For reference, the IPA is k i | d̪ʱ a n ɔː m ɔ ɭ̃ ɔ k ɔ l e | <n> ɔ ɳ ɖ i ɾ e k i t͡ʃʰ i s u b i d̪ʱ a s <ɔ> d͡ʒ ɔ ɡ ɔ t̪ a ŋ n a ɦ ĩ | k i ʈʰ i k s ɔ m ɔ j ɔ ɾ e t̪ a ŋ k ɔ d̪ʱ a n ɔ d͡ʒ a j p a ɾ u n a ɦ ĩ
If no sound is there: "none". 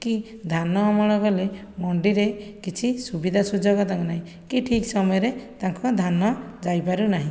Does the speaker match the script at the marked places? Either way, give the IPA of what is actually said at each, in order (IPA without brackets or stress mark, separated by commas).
m, u